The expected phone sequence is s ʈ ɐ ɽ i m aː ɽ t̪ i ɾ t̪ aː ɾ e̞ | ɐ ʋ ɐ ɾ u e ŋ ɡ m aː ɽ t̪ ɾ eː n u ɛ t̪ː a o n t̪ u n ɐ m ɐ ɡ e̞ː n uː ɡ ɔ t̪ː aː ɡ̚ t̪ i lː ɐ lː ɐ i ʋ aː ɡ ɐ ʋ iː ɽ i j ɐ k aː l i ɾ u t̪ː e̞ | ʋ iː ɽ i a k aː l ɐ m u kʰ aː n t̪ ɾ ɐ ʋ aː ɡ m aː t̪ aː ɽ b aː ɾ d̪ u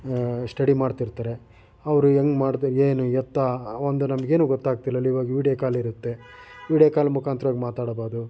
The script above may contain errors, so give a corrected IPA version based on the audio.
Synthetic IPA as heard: s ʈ ɐ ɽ i m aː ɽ t̪ i ɾ t̪ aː ɾ e̞ | ɐ ʋ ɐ ɾ u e ŋ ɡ m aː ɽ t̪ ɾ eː n u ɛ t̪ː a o n d̪ u n ɐ m ɐ ɡ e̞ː n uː ɡ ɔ t̪ː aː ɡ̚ t̪ i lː ɐ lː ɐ i ʋ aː ɡ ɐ ʋ iː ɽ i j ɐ k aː l i ɾ u t̪ː e̞ | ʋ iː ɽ j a k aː l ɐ m u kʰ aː n t̪ ɾ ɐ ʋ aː ɡ m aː t̪ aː ɽ b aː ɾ d̪ u